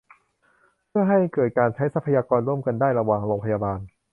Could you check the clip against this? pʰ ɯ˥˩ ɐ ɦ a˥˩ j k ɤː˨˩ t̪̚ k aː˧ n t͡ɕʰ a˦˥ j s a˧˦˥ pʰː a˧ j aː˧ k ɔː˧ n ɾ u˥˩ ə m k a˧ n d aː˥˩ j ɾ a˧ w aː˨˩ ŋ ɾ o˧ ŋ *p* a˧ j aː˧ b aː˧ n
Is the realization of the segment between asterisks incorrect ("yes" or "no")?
yes